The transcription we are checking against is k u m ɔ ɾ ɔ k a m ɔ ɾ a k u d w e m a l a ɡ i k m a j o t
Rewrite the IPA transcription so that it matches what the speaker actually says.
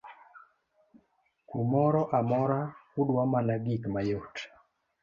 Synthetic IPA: k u m ɔ ɾ ɔ ʔ a m ɔ ɾ a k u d w a m a l a ɡ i k m a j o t